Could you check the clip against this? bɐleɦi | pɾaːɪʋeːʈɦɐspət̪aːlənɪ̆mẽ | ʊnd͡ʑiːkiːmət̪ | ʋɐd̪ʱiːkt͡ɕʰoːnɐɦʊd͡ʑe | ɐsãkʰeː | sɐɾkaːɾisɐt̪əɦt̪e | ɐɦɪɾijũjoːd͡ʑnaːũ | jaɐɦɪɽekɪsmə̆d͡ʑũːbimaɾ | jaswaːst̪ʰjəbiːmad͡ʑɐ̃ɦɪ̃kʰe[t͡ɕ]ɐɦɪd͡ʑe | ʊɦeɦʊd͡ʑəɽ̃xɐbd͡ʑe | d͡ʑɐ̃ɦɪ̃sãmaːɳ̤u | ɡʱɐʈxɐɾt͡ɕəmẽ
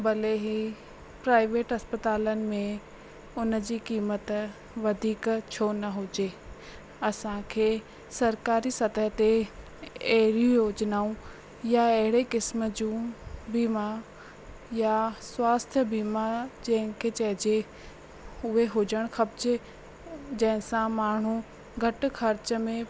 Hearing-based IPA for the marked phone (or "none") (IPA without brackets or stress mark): t͡ɕ